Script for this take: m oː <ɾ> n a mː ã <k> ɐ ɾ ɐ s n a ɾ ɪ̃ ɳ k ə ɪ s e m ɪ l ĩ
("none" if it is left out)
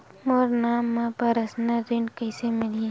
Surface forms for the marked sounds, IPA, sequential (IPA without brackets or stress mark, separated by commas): ɾ, p